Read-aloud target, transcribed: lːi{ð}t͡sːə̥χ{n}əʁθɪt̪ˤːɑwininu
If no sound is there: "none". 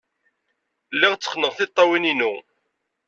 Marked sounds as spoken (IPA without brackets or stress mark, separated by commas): ʁ, n